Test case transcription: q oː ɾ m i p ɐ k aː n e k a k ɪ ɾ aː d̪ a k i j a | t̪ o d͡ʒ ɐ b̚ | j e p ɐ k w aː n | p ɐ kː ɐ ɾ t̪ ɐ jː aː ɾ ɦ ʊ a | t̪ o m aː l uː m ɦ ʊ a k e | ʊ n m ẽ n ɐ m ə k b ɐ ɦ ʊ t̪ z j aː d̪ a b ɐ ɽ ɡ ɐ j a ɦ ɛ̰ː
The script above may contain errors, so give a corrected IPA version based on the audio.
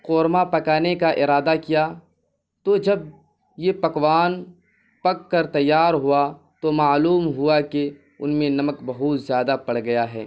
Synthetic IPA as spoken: q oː ɾ m a p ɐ k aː n e k a ʔ ɪ ɾ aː d̪ a k i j a | t̪ o d͡ʒ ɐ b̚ | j e p ɐ k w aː n | p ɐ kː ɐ ɾ t̪ ɐ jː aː ɾ ɦ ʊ a | t̪ o m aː l uː m ɦ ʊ a k e | ʊ n m ẽ n ɐ m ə k b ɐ ɦ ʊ t̪ z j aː d̪ a p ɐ ɽ ɡ ɐ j a ɦ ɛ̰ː

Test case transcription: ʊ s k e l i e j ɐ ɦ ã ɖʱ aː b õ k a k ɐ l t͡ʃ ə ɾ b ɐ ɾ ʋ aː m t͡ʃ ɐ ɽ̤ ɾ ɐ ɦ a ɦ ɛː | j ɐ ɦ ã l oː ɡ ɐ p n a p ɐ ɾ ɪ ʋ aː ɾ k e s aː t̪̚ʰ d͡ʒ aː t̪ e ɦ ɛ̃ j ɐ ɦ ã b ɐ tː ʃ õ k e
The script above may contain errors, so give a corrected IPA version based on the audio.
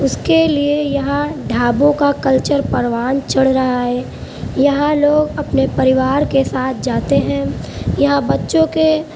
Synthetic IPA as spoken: ʊ s k e l i e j ɐ ɦ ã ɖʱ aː b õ k a k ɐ l t͡ʃ ə ɾ p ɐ ɾ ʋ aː n t͡ʃ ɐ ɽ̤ ɾ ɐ ɦ a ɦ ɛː | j ɐ ɦ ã l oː ɡ ɐ p n e p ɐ ɾ ɪ ʋ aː ɾ k e s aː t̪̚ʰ d͡ʒ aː t̪ e ɦ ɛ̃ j ɐ ɦ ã b ɐ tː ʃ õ k e

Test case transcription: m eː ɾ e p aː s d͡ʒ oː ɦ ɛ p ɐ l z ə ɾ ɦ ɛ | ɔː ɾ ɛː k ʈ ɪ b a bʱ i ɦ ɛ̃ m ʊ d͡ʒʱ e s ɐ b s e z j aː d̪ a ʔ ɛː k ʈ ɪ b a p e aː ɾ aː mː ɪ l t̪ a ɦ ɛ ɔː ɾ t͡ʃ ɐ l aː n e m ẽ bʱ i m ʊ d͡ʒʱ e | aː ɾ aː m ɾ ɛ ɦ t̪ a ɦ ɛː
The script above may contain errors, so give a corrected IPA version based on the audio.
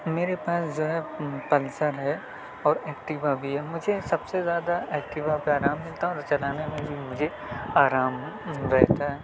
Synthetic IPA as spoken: m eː ɾ e p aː s d͡ʒ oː ɦ ɛ p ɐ l s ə ɾ ɦ ɛ | ɔː ɾ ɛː k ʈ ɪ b a bʱ i ɦ ɛ m ʊ d͡ʒʱ e s ɐ b s e z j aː d̪ a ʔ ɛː k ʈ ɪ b a p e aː ɾ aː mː ɪ l t̪ a ɦ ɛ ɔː ɾ t͡ʃ ɐ l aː n e m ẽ bʱ i m ʊ d͡ʒʱ e | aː ɾ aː m ɾ ɛ ɦ t̪ a ɦ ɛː

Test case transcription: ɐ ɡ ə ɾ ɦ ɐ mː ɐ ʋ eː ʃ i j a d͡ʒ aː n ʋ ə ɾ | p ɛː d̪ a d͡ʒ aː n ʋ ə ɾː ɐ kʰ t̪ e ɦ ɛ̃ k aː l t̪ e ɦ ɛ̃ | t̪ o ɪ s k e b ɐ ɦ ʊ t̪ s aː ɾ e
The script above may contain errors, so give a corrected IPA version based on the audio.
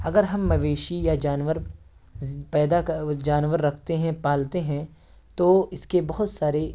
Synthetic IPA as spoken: ɐ ɡ ə ɾ ɦ ɐ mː ɐ ʋ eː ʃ i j a d͡ʒ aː n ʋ ə ɾ | p ɛː d̪ a d͡ʒ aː n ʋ ə ɾː ɐ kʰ t̪ e ɦ ɛ̃ p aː l t̪ e ɦ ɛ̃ | t̪ o ɪ s k e b ɐ ɦ ʊ t̪ s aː ɾ e

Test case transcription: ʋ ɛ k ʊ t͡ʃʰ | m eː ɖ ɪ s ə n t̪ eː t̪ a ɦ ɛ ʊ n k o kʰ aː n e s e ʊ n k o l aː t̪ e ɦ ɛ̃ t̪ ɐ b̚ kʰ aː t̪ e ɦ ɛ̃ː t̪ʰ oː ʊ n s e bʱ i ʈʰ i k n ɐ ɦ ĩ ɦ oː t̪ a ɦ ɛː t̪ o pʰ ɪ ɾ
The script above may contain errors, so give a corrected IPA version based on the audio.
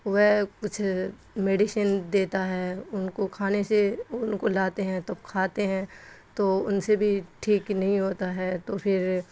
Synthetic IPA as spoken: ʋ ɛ k ʊ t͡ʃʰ | m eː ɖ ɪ ʃ ə n d̪ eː t̪ a ɦ ɛ ʊ n k o kʰ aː n e s e ʊ n k o l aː t̪ e ɦ ɛ̃ t̪ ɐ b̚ kʰ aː t̪ e ɦ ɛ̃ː t̪ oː ʊ n s e bʱ i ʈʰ iː k n ɐ ɦ ĩ ɦ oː t̪ a ɦ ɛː t̪ o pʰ ɪ ɾ

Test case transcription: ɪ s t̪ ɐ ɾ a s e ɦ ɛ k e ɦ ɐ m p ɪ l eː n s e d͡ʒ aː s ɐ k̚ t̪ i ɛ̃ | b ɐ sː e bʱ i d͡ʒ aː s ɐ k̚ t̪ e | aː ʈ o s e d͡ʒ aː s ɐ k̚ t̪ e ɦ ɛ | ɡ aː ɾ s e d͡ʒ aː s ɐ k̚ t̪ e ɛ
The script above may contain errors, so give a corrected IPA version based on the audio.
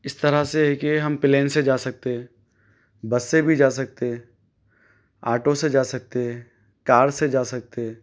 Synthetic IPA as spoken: ɪ s t̪ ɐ ɾ a s e ɦ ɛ k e ɦ ɐ m p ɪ l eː n s e d͡ʒ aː s ɐ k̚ t̪ e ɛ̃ | b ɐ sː e bʱ i d͡ʒ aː s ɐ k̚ t̪ e | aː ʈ o s e d͡ʒ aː s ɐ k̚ t̪ e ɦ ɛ | k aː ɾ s e d͡ʒ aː s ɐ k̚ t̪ e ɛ

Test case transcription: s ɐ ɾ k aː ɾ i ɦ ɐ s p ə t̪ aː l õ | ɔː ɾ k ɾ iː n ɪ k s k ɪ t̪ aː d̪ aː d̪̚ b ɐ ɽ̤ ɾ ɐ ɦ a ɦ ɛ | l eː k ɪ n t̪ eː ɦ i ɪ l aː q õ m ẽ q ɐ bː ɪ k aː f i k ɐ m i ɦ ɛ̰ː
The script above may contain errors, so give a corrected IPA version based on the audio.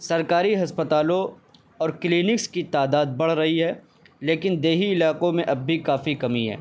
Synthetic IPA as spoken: s ɐ ɾ k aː ɾ i ɦ ɐ s p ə t̪ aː l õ | ɔː ɾ k l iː n ɪ k s k i t̪ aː d̪ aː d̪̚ b ɐ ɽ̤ ɾ ɐ ɦ i ɦ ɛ | l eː k ɪ n d̪ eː ɦ i ɪ l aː q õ m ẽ ʔ ɐ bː i k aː f i k ɐ m i ɦ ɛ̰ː

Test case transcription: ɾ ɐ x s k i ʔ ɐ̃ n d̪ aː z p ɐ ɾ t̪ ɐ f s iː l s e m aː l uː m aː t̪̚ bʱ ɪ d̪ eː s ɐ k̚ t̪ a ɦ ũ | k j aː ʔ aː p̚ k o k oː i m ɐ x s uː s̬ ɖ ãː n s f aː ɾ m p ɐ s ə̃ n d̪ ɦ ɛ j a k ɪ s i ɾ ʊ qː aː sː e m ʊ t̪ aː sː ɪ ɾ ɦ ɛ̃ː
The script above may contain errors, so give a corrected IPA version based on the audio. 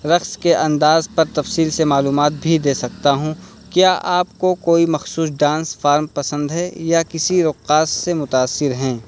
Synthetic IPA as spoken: ɾ ɐ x s k e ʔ ɐ̃ n d̪ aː z p ɐ ɾ t̪ ɐ f s iː l s e m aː l uː m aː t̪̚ bʱ i d̪ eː s ɐ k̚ t̪ a ɦ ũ | k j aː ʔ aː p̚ k o k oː i m ɐ x s uː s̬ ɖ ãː n s f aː ɾ m p ɐ s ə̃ n d̪ ɦ ɛ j a k ɪ s i ɾ ʊ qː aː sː e m ʊ t̪ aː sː ɪ ɾ ɦ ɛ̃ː

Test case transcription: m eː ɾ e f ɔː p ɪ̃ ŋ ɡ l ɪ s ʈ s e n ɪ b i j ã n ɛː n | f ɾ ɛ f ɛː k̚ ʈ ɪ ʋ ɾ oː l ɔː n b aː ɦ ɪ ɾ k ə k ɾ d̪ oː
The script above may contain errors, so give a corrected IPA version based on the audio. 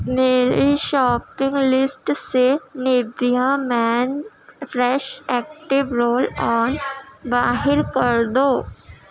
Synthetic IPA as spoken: m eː ɾ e ʃ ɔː p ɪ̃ ŋ ɡ l ɪ s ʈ s e n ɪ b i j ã m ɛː n | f ɾ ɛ ʃ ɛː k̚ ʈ ɪ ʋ ɾ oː l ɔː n b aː ɦ ɪ ɾ k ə ɾ d̪ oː

